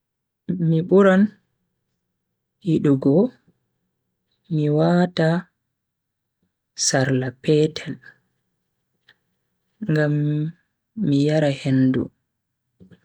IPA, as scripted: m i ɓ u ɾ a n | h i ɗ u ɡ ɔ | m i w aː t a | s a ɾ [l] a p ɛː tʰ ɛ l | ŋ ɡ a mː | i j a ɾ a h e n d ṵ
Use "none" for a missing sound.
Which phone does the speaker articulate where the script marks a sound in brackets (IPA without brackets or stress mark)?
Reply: l